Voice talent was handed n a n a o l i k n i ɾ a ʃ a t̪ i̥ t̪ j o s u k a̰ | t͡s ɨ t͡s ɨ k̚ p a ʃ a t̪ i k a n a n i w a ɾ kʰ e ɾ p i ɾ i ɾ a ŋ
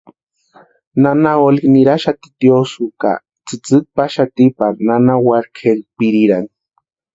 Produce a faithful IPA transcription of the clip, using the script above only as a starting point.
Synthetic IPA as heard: n a n a o l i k n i ɾ a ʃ a t̪ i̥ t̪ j o s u k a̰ | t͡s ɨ t͡s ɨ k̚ p a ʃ a t̪ i p a n a n a w a ɾ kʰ e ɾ p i ɾ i ɾ a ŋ